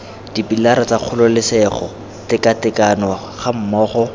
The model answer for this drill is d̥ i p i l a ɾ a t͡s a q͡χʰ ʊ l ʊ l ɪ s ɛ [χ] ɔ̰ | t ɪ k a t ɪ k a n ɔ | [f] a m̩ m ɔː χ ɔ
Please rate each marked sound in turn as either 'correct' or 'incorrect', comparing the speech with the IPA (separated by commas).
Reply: correct, incorrect